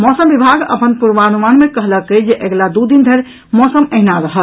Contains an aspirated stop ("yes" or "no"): no